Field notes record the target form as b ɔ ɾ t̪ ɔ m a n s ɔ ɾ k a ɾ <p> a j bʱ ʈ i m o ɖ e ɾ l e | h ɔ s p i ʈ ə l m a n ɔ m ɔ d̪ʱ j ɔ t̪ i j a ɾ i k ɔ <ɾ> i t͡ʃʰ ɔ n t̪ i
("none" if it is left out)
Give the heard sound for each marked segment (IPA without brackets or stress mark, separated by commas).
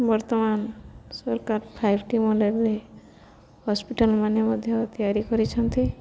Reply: pʰ, ɾ